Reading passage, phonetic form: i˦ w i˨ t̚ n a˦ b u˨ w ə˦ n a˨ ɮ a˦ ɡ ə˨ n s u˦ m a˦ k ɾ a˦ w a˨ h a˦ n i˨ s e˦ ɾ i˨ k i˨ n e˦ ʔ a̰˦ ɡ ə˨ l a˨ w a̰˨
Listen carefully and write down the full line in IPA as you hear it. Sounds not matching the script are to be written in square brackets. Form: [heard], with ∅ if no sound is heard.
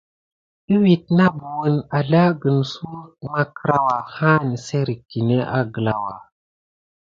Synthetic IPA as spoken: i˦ w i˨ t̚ n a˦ b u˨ w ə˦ n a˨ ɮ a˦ ɡ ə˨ n s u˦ m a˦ k ɾ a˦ w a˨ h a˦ n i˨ s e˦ ɾ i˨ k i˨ n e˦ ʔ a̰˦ ɡ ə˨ l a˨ w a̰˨